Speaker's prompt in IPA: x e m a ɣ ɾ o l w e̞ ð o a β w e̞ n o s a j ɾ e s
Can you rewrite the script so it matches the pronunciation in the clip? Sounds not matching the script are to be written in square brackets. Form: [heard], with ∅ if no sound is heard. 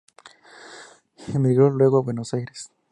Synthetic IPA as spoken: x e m [i] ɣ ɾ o l w e̞ [ɣ] o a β w e̞ n o s a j ɾ e s